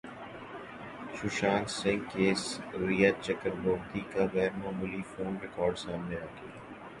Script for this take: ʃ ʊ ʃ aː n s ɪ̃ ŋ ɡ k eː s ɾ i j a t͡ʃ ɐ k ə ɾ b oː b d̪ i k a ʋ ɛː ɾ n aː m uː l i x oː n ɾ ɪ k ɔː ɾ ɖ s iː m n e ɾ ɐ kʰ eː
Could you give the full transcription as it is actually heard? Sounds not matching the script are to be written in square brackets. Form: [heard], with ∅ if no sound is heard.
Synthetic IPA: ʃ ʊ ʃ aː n s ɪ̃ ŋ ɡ k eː s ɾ i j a t͡ʃ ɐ k ə ɾ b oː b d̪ i k a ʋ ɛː ɾ [m] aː m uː l i [f] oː n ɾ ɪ k ɔː ɾ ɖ s [aː] m n e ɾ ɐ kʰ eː

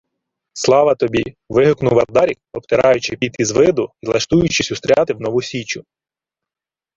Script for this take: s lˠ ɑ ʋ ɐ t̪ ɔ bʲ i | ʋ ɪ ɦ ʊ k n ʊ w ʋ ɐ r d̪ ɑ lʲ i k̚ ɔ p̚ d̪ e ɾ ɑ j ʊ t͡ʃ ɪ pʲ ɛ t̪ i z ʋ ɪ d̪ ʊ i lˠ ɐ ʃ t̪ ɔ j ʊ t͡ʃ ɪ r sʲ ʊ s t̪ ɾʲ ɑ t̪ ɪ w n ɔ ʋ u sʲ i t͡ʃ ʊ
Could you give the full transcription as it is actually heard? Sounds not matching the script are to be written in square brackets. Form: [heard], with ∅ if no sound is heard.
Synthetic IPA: s lˠ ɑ ʋ ɐ t̪ ɔ bʲ i | ʋ ɪ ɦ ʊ k n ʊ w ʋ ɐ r d̪ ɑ [ɾʲ] i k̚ ɔ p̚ [t̪] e ɾ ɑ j ʊ t͡ʃ ɪ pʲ [i] t̪ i z ʋ ɪ d̪ ʊ i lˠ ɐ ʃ t̪ [u] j ʊ t͡ʃ ɪ [∅] sʲ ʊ s t̪ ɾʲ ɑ t̪ ɪ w n ɔ ʋ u sʲ i t͡ʃ ʊ

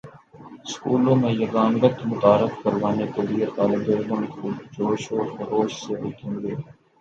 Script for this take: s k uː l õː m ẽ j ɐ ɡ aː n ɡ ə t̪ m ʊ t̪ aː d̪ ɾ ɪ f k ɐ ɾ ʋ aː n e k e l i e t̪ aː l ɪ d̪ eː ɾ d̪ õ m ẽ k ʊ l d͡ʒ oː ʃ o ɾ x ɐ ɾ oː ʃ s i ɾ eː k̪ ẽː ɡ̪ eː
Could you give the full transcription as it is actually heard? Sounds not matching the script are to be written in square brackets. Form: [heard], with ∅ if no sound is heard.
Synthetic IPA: s k uː l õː m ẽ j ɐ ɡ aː n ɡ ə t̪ m ʊ t̪ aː [∅] ɾ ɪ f k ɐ ɾ ʋ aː n e k e l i e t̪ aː l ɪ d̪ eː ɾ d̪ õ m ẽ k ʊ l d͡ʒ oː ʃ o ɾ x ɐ ɾ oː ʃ s [e] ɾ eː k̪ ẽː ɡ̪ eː

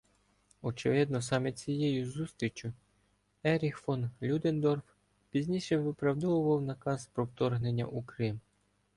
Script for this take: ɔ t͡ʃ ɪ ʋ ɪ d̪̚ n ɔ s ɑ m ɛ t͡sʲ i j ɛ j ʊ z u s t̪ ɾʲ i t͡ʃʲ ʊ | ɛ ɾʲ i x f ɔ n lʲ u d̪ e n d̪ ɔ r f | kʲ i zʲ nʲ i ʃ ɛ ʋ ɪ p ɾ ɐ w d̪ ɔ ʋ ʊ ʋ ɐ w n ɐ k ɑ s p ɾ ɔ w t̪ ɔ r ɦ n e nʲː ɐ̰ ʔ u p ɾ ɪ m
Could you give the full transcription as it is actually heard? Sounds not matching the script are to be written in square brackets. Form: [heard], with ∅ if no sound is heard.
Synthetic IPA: ɔ t͡ʃ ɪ ʋ ɪ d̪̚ n ɔ s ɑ m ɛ t͡sʲ i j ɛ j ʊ z u s t̪ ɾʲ i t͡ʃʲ ʊ | ɛ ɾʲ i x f ɔ n lʲ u d̪ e n d̪ ɔ r f | [pʲ] i zʲ nʲ i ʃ ɛ ʋ ɪ p ɾ ɐ w d̪ ɔ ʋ ʊ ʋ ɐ w n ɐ k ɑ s p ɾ ɔ w t̪ ɔ r ɦ n e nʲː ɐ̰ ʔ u [k] ɾ ɪ m

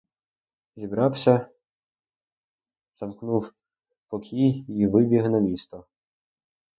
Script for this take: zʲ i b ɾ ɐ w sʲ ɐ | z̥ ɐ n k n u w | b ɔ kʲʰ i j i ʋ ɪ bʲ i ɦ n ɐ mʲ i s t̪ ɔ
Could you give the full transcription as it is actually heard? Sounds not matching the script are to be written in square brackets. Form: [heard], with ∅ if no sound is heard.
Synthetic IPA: zʲ i b ɾ [ɑ] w sʲ ɐ | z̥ ɐ [m] k n u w | [p] ɔ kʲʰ i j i ʋ ɪ bʲ i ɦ n ɐ mʲ i s t̪ ɔ

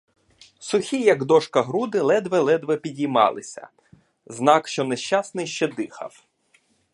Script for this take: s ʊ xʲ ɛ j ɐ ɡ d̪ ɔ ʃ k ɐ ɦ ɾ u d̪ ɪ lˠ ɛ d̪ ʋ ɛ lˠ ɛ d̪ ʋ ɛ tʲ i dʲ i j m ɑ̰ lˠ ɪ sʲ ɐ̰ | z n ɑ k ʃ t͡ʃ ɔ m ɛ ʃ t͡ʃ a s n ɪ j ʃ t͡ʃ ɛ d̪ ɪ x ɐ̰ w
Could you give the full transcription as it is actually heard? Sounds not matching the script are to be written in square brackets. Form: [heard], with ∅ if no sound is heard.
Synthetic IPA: s ʊ xʲ [i] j ɐ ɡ d̪ ɔ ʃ k ɐ ɦ ɾ u d̪ ɪ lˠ ɛ d̪ ʋ ɛ lˠ ɛ d̪ ʋ ɛ [pʲ] i dʲ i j m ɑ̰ lˠ ɪ sʲ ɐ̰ | z n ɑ k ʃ t͡ʃ ɔ [n] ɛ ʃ t͡ʃ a s n ɪ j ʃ t͡ʃ ɛ d̪ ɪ x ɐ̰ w

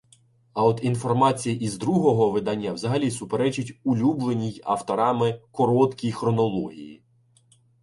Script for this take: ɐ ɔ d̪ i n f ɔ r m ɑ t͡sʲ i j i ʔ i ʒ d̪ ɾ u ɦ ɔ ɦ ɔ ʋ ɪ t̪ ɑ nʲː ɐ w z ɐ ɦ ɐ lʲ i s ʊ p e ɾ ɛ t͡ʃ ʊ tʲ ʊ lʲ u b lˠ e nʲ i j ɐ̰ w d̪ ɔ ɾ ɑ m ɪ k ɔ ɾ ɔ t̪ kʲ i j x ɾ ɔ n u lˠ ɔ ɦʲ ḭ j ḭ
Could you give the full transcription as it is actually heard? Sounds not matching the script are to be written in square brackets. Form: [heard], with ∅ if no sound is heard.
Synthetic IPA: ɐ ɔ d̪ i n f ɔ r m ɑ t͡sʲ i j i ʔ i [z] d̪ ɾ u ɦ ɔ ɦ ɔ ʋ ɪ [d̪] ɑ nʲː ɐ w z ɐ ɦ ɐ lʲ i s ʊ p e ɾ ɛ t͡ʃ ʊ tʲ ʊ lʲ u b lˠ e nʲ i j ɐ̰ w [t̪] ɔ ɾ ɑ m ɪ k ɔ ɾ ɔ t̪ kʲ i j x ɾ ɔ n [ɔ] lˠ ɔ ɦʲ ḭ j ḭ

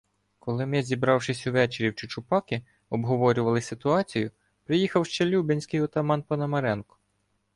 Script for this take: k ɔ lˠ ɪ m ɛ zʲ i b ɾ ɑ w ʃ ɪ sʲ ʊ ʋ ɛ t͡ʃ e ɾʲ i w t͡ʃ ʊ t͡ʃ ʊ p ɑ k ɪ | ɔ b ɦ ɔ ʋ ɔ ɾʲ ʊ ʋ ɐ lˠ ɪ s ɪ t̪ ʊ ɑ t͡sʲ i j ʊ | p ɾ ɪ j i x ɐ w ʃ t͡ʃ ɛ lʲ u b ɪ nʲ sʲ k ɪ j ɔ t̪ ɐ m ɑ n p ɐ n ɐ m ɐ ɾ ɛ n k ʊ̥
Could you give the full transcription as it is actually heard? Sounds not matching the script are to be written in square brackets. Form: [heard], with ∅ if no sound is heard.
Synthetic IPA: k ɔ lˠ ɪ m ɛ zʲ i b ɾ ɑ w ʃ ɪ sʲ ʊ ʋ ɛ t͡ʃ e ɾʲ i w t͡ʃ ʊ t͡ʃ ʊ p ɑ k ɪ | ɔ b ɦ ɔ ʋ ɔ ɾʲ ʊ ʋ ɐ lˠ ɪ s ɪ t̪ ʊ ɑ t͡sʲ i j ʊ | p ɾ ɪ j i x ɐ w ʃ t͡ʃ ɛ lʲ u b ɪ nʲ sʲ k ɪ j ɔ t̪ ɐ m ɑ n p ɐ n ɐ m ɐ ɾ ɛ n k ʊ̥

